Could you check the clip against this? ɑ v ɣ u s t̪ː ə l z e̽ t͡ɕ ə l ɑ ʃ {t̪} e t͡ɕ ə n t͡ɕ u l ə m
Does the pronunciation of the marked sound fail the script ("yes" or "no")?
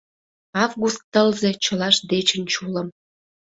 yes